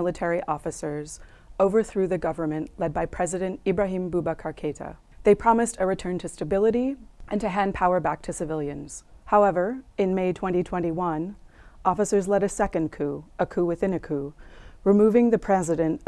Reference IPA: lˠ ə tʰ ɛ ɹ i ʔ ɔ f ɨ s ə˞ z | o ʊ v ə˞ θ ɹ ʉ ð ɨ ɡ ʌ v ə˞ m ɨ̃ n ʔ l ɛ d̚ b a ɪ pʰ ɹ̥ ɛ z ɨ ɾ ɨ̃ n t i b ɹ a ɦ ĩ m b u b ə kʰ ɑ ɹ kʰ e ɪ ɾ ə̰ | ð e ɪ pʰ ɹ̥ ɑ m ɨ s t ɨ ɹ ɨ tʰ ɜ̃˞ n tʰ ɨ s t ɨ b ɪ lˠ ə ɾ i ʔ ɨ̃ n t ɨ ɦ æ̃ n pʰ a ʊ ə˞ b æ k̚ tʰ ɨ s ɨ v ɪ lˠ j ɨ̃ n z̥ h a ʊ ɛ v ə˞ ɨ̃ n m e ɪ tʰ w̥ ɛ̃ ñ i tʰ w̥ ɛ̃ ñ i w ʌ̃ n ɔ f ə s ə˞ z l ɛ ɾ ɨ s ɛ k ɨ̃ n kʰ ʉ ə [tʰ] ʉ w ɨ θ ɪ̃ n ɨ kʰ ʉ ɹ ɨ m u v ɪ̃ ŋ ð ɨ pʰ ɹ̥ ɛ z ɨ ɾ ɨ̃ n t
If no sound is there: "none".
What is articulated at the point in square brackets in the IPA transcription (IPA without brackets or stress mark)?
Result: kʰ